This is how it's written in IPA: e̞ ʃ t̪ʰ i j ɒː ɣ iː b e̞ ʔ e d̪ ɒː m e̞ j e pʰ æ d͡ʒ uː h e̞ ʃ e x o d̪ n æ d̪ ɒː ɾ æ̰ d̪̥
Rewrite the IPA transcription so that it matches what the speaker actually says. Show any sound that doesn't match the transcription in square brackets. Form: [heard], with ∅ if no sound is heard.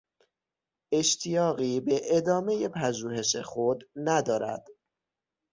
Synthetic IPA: e̞ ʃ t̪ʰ i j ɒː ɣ iː b e̞ ʔ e d̪ ɒː m e̞ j e pʰ æ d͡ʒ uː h e̞ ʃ e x o d̪ n æ d̪ ɒː ɾ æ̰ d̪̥